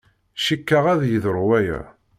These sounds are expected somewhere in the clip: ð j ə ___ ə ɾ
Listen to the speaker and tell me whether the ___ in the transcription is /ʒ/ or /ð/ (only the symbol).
ð